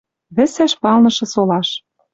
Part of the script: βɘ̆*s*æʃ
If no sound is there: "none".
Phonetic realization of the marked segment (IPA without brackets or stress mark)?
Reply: s